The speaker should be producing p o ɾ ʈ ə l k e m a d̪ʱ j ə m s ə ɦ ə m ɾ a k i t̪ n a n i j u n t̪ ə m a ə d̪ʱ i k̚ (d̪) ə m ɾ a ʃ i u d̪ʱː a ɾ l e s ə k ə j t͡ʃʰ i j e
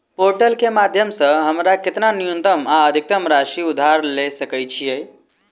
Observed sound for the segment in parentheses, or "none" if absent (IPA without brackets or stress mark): t̪